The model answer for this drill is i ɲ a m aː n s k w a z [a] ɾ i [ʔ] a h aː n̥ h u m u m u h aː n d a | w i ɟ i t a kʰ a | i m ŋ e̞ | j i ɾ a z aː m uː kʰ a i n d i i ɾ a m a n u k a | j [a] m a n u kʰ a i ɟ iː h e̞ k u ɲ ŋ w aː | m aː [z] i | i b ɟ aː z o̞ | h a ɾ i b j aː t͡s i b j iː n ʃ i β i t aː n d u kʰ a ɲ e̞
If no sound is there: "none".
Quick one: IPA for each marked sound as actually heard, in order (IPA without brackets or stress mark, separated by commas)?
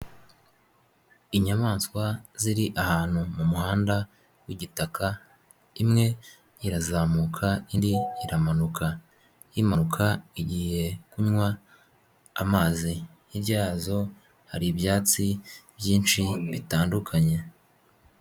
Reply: i, ʔ, i, z